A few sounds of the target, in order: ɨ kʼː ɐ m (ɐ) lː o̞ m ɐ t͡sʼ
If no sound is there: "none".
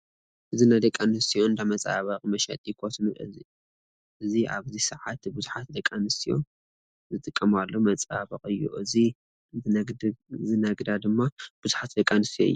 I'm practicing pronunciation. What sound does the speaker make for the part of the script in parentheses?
a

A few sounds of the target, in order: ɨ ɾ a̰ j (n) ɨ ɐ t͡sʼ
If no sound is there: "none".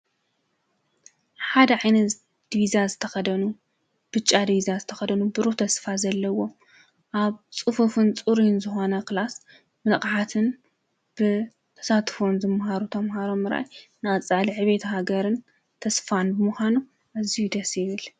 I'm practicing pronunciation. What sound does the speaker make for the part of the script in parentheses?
n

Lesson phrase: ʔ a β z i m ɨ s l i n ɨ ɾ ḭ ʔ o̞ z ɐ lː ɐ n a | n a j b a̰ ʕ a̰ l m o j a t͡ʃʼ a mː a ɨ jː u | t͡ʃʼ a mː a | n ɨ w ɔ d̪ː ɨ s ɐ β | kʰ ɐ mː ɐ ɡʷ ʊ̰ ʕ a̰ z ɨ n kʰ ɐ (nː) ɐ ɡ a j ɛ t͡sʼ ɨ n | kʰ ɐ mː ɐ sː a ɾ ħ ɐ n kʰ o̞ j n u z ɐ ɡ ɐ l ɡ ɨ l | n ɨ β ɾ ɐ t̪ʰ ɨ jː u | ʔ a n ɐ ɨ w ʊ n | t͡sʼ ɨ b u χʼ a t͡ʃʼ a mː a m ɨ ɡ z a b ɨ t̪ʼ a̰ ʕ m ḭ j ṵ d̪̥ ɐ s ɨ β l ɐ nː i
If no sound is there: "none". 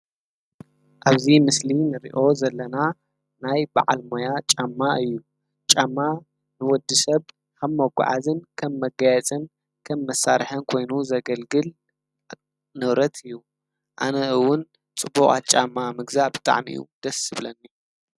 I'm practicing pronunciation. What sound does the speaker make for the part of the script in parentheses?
mː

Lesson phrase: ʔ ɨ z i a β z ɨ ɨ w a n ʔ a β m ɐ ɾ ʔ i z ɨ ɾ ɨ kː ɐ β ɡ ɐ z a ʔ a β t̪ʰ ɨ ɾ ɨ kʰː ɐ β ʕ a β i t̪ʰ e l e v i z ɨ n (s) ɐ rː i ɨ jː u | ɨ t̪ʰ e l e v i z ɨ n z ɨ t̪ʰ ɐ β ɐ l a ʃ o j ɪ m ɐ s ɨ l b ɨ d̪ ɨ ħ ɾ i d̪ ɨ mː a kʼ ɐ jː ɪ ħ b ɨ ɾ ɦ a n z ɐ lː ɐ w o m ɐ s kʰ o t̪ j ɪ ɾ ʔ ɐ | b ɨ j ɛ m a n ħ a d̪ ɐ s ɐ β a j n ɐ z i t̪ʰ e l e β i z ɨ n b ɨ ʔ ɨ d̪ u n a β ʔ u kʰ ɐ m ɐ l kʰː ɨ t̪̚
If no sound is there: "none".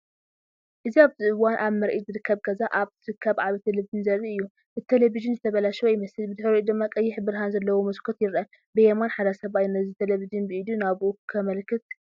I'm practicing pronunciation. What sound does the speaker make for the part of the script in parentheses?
z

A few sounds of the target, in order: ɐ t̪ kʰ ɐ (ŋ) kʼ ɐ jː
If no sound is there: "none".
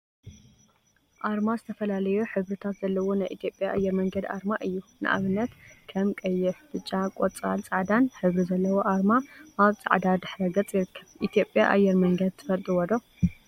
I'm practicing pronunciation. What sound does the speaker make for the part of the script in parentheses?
m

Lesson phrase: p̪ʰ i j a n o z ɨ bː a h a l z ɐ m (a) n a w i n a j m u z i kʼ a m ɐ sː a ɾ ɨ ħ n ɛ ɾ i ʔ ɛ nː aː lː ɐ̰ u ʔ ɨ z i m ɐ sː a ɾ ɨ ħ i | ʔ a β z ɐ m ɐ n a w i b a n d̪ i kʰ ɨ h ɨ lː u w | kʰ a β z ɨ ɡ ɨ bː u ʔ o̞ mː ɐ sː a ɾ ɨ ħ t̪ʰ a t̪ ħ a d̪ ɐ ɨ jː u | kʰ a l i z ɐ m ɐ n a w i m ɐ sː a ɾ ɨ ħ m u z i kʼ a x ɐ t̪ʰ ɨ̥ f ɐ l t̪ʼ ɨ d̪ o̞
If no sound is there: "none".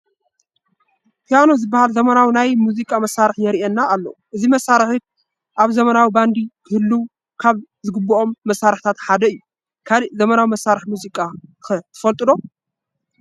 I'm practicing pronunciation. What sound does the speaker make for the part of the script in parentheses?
ɐ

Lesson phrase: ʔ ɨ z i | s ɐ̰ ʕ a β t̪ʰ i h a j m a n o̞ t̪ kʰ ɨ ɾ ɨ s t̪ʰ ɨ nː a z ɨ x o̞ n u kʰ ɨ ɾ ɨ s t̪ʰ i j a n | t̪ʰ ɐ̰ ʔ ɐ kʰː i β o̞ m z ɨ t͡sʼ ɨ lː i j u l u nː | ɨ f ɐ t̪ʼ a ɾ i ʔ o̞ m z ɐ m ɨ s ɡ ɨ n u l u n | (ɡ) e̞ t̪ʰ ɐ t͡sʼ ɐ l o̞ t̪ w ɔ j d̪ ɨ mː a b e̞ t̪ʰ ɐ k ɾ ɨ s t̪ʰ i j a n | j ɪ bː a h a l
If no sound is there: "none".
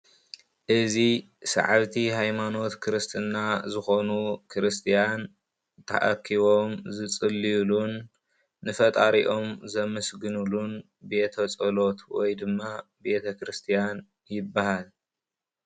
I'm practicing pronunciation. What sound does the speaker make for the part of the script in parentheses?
b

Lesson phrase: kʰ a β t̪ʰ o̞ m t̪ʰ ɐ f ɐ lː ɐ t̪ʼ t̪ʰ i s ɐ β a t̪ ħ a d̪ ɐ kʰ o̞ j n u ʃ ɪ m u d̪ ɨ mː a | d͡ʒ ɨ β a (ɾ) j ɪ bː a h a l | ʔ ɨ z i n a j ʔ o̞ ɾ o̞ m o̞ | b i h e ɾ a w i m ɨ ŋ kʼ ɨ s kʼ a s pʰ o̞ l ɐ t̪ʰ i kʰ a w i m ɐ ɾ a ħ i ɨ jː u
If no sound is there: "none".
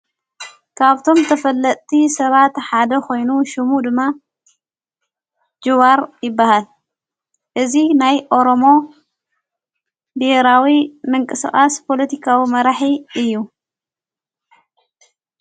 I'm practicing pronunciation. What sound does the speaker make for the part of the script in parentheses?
ɾ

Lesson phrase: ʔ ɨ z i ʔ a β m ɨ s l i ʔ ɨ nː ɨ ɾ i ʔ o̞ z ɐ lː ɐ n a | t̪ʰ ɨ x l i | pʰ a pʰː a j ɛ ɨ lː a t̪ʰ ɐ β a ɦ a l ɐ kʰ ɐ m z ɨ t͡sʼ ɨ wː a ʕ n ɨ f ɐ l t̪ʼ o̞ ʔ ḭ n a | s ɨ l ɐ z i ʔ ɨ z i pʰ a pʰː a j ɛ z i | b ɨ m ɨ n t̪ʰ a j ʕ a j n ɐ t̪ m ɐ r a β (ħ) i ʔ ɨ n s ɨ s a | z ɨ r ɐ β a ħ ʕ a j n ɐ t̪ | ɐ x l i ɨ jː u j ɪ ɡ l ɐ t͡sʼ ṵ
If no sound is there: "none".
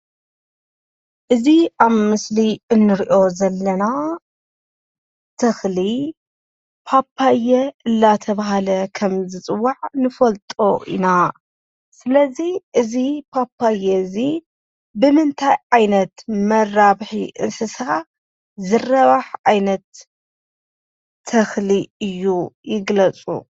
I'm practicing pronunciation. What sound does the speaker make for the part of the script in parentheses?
ħ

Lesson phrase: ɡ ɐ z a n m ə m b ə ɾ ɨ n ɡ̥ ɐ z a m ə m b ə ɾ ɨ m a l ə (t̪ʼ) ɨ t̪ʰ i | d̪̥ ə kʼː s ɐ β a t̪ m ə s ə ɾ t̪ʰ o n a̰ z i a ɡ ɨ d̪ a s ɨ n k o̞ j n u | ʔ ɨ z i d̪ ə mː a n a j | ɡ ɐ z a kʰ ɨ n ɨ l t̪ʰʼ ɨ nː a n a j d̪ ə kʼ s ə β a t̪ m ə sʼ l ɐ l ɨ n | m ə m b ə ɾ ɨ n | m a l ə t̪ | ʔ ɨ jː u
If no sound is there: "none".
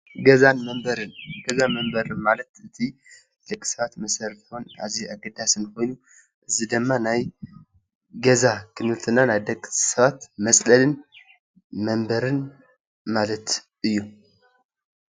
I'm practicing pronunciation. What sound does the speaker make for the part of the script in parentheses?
t̪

